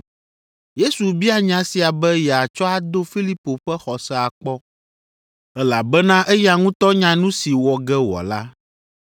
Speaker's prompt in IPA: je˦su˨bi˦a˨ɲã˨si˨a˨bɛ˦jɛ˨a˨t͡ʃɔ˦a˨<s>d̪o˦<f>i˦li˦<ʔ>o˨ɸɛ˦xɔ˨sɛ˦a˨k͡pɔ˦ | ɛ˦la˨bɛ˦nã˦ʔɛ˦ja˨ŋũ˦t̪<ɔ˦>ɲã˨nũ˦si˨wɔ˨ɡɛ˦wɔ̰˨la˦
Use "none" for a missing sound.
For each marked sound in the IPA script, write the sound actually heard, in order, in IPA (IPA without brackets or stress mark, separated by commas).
none, f, p, ɔ˦